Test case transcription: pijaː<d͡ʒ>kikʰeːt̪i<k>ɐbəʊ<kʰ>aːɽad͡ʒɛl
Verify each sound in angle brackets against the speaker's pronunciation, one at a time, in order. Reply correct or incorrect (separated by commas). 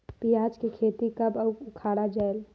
correct, correct, correct